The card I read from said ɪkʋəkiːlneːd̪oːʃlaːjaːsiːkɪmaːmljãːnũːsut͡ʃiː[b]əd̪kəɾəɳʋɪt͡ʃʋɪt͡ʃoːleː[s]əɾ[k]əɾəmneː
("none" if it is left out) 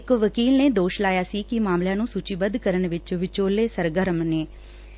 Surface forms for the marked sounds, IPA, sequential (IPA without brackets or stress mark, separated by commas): b, s, ɡ